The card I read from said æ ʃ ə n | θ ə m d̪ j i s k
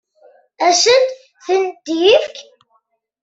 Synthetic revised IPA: æ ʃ ə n | θ ə n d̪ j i f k